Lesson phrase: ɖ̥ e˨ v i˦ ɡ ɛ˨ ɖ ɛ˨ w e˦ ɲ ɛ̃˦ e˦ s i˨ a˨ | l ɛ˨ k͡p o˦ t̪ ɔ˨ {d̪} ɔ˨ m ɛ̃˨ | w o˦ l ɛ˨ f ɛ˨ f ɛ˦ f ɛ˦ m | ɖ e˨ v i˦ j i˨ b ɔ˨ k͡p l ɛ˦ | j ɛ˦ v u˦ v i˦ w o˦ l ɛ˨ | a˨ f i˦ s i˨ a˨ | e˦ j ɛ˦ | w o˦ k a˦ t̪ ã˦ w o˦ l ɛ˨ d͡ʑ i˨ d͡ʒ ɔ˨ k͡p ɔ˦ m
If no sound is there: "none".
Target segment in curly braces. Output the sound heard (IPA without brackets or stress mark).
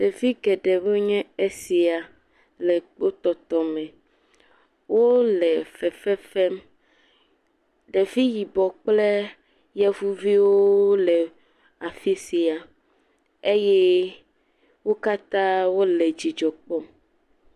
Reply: t̪